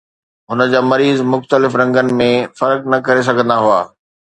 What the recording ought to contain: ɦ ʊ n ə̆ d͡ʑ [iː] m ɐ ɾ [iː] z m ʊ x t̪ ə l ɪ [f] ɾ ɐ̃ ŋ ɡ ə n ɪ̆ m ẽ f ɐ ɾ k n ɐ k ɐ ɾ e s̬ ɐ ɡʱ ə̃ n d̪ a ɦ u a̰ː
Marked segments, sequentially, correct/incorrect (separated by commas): incorrect, correct, correct